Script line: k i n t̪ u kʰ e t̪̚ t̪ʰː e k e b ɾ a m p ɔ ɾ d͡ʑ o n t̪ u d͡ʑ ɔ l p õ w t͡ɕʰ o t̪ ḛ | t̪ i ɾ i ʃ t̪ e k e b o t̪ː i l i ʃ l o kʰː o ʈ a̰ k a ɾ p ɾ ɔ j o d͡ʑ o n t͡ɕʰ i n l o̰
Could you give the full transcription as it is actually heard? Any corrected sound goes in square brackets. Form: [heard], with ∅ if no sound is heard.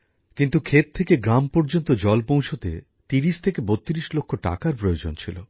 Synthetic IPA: k i n t̪ u kʰ e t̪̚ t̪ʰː e k e [ɡ] ɾ a m p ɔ ɾ d͡ʑ o n t̪ [o] d͡ʑ ɔ l p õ w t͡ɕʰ o t̪ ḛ | t̪ i ɾ i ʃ [t̪ʰ] e k e b o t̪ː i [ɾ] i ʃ l o kʰː o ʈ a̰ k a ɾ p ɾ [o] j o d͡ʑ o n t͡ɕʰ i [∅] l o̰